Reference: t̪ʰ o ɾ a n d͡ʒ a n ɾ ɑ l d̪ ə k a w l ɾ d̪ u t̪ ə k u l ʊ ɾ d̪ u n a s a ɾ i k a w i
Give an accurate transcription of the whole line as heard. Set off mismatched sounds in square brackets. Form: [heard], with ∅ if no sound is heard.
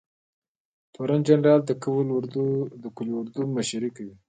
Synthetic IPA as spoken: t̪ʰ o ɾ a n d͡ʒ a n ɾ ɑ l d̪ ə k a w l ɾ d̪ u [d̪] ə k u l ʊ ɾ d̪ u [m] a [ʃ] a ɾ i k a w i